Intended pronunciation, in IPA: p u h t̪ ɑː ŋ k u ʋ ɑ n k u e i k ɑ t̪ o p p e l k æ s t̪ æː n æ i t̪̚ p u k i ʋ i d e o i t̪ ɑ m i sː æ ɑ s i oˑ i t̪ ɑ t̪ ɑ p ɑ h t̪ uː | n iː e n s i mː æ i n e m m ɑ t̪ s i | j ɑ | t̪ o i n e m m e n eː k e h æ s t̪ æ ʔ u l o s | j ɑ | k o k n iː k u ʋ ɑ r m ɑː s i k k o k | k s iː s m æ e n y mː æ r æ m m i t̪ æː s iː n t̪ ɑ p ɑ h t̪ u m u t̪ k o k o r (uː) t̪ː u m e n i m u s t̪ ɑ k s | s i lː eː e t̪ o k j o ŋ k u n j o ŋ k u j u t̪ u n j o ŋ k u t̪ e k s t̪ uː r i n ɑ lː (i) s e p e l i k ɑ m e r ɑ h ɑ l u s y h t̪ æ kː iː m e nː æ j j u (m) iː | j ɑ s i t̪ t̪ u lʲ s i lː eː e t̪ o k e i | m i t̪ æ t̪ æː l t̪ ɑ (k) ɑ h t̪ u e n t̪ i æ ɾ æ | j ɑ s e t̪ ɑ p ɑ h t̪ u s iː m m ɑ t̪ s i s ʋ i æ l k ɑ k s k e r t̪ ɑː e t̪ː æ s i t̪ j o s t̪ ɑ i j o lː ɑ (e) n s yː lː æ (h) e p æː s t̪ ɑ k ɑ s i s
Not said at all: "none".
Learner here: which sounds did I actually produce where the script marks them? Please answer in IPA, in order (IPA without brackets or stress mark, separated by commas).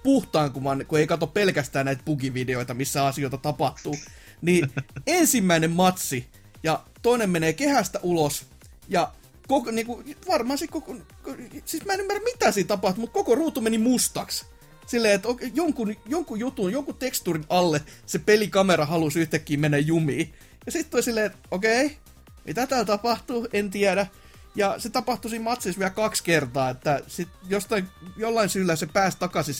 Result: uː, e, m, p, i, s